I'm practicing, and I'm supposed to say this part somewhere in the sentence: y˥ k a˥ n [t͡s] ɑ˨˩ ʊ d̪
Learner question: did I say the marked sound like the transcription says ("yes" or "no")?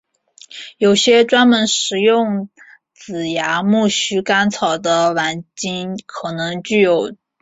no